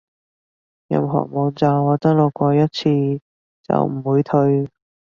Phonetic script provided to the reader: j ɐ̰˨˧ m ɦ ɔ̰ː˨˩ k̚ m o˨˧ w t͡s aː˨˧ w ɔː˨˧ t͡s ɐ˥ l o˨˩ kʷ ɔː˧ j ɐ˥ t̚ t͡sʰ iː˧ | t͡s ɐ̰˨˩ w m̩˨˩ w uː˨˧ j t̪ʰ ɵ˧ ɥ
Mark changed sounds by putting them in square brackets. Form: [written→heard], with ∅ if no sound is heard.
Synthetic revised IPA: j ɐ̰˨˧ m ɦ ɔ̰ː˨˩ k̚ m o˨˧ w t͡s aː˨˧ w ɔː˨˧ t͡s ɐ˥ l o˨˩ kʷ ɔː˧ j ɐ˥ t̚ t͡sʰ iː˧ | t͡s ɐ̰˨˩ w m̩˨˩ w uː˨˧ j t̪ʰ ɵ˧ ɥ